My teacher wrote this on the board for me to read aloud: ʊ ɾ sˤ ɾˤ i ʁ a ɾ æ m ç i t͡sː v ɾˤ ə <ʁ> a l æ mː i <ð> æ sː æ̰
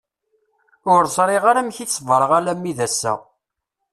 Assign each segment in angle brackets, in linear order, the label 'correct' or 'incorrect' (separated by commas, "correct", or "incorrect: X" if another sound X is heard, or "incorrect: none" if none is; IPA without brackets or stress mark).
correct, correct